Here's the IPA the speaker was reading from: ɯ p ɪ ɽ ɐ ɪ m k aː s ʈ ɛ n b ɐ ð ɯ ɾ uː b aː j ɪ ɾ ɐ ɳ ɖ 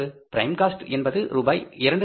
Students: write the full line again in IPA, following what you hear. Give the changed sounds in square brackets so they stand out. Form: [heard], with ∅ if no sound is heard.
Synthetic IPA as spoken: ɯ p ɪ [ɾ] ɐ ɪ m k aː s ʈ ɛ n b ɐ ð ɯ ɾ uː b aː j ɪ ɾ ɐ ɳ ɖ